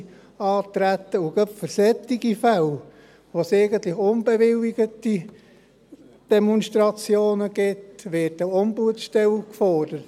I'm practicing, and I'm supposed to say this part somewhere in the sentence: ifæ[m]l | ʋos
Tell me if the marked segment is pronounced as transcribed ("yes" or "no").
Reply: no